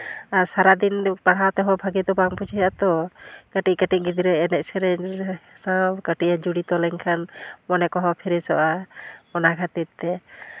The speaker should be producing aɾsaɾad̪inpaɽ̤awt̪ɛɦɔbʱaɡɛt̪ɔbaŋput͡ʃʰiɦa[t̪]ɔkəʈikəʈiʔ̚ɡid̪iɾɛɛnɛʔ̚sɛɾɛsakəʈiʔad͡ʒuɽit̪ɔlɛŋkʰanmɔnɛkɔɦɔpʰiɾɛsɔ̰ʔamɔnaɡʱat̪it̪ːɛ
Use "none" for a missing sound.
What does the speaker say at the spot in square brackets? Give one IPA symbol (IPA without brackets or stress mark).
t̪